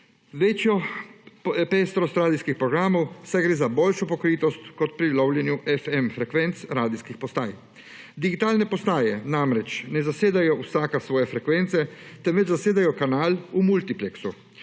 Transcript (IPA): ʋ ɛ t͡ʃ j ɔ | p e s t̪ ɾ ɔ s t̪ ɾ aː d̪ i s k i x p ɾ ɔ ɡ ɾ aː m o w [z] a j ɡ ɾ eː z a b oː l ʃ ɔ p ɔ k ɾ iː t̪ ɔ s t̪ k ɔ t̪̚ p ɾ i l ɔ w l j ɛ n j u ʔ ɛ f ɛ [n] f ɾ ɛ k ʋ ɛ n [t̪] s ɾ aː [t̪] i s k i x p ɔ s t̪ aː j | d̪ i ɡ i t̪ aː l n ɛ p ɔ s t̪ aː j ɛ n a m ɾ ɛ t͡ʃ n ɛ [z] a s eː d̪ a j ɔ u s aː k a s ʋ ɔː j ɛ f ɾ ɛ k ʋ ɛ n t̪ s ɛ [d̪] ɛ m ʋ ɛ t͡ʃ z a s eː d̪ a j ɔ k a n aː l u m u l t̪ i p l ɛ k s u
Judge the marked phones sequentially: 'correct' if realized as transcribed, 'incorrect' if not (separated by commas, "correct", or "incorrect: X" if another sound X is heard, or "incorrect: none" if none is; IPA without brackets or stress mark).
incorrect: s, incorrect: m, correct, incorrect: d̪, correct, incorrect: t̪